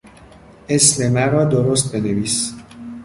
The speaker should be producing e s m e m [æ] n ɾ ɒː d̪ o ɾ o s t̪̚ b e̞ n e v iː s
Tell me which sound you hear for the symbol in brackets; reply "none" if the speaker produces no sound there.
æ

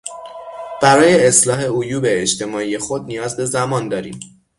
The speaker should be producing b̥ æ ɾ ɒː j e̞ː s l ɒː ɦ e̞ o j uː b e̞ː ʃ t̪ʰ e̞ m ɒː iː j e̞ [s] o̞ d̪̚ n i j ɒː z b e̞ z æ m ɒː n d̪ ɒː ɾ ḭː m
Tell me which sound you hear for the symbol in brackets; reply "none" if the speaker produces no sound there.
x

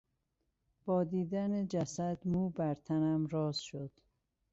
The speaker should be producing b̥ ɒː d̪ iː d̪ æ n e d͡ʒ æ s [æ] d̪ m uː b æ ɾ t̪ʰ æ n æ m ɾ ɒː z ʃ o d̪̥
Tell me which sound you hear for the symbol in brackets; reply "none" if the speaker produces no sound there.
æ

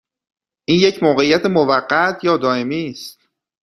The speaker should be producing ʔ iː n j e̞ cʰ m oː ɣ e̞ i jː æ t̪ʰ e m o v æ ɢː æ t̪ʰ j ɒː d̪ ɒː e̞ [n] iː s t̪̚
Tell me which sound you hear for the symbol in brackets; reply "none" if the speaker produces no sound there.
m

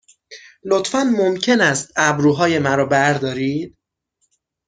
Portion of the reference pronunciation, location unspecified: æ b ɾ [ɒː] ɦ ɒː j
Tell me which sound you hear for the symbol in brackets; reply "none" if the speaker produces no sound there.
uː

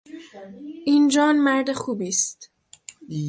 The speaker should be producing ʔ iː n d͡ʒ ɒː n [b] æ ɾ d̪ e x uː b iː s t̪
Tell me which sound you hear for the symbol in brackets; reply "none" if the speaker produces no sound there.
m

